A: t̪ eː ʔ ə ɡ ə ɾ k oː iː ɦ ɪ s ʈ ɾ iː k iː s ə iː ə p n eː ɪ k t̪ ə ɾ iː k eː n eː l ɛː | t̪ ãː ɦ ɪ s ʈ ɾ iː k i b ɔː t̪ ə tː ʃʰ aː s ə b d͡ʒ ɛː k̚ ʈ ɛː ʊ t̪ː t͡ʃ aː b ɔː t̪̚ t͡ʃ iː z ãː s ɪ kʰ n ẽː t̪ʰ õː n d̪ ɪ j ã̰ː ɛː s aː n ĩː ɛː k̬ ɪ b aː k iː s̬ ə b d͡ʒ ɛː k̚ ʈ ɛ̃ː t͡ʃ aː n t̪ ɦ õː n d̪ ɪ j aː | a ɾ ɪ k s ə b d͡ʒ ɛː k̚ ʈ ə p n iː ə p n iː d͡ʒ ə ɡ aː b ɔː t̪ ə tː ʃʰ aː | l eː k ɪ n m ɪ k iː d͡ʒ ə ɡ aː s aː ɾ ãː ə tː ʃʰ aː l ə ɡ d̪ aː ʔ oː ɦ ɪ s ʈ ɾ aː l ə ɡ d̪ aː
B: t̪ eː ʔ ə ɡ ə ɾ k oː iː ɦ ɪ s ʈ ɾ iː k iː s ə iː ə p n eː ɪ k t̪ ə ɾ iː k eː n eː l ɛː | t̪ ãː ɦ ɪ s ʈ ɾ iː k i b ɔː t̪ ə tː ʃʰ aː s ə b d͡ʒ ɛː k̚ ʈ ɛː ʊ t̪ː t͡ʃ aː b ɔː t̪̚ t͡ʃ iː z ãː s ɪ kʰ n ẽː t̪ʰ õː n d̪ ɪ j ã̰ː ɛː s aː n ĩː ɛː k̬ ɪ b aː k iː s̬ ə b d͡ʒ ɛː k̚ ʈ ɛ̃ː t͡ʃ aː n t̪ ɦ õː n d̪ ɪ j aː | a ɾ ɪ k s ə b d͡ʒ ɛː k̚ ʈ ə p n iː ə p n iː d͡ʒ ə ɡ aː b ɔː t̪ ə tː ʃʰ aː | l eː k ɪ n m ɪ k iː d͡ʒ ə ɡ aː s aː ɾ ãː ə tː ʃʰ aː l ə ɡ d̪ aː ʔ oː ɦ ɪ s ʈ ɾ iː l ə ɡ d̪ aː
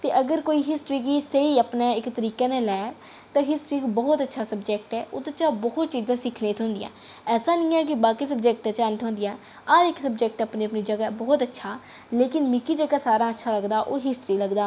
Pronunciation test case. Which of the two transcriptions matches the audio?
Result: B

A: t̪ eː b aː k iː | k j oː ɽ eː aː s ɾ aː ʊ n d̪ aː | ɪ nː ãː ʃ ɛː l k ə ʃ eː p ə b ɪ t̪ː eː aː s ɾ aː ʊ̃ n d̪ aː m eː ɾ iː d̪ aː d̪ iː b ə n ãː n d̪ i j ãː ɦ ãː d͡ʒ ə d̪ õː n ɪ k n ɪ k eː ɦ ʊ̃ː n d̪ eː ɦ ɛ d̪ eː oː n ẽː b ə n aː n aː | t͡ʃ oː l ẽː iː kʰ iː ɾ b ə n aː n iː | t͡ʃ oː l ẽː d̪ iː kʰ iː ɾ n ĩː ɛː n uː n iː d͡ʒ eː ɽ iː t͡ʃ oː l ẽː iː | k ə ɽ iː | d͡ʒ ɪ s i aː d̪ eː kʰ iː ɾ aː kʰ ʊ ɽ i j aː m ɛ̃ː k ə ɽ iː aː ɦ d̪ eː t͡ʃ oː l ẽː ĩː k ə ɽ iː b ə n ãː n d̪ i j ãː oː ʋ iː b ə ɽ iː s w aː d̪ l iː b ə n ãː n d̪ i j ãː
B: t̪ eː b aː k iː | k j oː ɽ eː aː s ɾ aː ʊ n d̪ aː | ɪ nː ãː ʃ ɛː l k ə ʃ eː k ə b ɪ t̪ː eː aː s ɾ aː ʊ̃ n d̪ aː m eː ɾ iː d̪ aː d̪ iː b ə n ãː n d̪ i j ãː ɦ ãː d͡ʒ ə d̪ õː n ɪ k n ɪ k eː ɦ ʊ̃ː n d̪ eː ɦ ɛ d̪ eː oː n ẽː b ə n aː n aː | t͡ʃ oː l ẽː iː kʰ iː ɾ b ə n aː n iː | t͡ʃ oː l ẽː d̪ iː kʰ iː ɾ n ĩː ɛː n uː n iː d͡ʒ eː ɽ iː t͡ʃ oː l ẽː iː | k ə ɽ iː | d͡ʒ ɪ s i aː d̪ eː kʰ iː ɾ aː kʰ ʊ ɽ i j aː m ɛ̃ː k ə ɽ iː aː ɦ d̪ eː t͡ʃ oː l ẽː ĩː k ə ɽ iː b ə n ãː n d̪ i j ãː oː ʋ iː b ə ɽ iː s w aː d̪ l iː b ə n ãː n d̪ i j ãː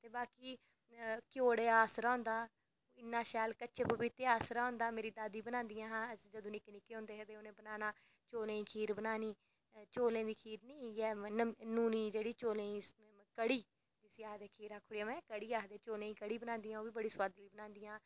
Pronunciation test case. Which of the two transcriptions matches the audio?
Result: A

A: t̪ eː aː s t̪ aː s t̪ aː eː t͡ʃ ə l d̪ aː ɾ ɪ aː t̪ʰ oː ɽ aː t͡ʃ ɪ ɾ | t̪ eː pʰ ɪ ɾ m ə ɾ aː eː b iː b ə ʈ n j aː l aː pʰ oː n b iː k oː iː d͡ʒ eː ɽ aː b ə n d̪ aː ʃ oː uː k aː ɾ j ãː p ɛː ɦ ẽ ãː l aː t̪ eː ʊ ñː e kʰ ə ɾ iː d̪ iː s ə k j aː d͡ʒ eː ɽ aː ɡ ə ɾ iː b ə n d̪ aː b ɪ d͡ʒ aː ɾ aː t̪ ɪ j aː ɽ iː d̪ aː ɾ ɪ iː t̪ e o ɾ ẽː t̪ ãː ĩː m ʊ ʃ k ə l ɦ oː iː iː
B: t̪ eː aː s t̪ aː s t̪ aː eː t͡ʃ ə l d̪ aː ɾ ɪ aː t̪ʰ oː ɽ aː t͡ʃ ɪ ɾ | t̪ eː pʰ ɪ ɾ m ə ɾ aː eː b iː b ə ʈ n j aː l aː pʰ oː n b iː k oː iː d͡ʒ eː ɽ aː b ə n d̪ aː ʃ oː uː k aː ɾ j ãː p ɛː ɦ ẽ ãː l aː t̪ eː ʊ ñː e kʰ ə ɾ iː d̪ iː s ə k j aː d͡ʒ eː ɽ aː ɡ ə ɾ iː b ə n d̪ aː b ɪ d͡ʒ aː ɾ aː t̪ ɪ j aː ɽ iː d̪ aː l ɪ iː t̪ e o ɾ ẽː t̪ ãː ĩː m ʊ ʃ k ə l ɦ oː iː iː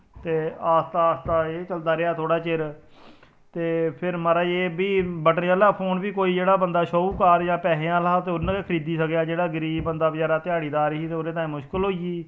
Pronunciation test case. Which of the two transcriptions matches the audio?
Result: A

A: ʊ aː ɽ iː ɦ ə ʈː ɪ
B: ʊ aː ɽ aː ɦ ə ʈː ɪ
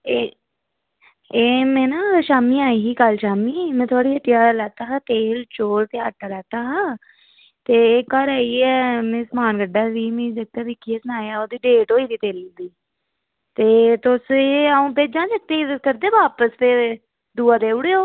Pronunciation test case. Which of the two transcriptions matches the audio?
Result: A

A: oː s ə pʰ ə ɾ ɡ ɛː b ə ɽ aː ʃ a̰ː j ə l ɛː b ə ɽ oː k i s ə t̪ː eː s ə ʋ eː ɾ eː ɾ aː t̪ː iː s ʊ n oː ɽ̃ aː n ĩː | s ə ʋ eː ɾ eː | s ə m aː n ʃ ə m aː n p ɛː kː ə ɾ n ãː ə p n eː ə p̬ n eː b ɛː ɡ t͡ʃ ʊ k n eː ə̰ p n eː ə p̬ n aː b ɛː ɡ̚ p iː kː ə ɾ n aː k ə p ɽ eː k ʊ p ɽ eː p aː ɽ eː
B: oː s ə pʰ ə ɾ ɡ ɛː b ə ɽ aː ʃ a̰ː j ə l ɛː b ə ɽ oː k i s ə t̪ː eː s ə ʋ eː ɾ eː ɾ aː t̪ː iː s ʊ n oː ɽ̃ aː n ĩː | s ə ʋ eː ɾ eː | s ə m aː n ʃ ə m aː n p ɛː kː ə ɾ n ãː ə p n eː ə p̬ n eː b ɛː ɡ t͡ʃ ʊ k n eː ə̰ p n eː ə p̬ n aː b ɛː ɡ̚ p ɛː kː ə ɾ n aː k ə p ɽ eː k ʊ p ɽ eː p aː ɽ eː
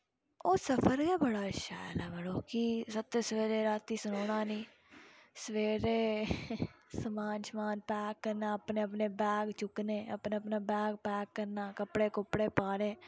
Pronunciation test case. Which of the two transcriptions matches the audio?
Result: B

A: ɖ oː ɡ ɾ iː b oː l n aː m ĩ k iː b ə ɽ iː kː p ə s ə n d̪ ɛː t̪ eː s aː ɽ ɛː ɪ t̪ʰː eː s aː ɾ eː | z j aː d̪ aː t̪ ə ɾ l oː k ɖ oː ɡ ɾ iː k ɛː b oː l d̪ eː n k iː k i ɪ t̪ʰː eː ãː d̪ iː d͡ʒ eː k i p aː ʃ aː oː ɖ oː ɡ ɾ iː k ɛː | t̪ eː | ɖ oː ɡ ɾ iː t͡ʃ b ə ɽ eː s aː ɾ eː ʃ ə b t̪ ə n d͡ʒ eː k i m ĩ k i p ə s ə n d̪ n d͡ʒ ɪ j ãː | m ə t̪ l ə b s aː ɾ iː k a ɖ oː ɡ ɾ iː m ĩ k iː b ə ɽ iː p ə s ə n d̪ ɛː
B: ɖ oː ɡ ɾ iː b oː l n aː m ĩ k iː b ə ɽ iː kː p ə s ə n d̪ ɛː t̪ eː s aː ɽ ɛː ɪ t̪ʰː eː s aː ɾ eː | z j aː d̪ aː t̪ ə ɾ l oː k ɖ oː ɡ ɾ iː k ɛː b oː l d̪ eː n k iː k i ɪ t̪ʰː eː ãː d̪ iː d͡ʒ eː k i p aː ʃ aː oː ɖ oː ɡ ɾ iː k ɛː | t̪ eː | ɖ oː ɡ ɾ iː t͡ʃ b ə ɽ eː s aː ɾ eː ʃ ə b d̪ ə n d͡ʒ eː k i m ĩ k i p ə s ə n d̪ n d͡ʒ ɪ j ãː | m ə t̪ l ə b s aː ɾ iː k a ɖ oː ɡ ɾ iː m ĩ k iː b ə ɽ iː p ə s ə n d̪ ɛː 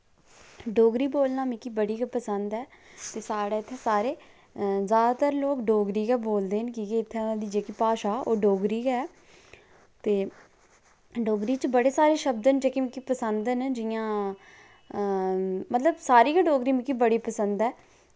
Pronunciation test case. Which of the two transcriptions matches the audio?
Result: B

